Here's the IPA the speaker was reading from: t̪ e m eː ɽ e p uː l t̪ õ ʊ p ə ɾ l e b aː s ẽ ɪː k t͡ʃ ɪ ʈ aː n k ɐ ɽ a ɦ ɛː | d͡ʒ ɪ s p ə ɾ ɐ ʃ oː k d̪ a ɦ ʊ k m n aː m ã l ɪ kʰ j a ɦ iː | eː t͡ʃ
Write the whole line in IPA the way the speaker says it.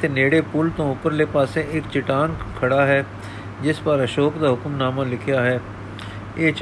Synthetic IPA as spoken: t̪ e n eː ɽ e p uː l t̪ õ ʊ p ə ɾ l e p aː s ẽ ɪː k t͡ʃ ɪ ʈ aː n kʰ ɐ ɽ a ɦ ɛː | d͡ʒ ɪ s p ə ɾ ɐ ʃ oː k d̪ a ɦ ʊ k m n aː m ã l ɪ kʰ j a ɦ ɛː | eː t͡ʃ